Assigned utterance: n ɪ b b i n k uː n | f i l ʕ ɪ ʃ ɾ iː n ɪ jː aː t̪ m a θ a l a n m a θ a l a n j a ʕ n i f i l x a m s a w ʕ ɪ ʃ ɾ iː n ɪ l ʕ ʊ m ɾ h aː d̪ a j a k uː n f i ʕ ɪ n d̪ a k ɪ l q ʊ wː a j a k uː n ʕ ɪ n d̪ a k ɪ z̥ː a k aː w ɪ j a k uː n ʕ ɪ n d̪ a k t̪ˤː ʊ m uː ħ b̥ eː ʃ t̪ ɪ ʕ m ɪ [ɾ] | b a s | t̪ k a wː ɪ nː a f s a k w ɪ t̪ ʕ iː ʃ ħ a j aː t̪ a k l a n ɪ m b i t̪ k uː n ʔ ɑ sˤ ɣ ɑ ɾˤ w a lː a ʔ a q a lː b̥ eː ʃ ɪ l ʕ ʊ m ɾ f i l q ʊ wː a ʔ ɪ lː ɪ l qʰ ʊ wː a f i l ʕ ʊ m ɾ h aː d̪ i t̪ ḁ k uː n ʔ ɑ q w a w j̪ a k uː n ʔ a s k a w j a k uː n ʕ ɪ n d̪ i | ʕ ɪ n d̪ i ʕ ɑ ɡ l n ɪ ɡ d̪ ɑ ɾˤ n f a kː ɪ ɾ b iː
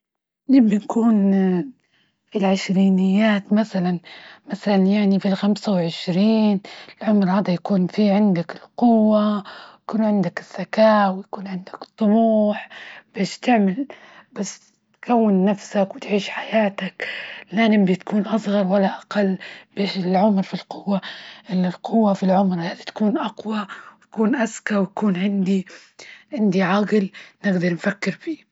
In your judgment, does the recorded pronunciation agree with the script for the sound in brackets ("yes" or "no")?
no